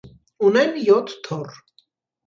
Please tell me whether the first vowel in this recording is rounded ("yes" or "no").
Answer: yes